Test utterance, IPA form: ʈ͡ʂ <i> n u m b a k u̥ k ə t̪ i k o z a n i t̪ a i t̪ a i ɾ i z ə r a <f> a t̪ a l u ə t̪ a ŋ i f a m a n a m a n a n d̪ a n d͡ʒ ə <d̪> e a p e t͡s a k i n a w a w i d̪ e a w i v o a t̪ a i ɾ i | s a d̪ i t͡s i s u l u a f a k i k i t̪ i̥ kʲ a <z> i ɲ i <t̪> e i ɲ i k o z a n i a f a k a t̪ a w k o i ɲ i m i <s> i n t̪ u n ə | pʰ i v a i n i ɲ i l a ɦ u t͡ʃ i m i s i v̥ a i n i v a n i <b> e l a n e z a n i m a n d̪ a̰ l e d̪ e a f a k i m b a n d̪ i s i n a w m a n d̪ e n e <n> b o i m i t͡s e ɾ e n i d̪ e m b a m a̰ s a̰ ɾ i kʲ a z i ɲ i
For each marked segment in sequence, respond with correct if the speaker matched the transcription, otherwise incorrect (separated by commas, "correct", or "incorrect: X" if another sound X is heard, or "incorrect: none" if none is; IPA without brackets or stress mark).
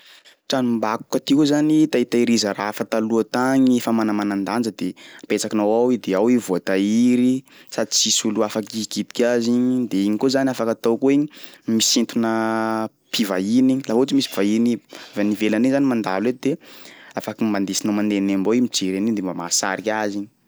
incorrect: a, correct, correct, correct, incorrect: d̪, correct, incorrect: v, incorrect: m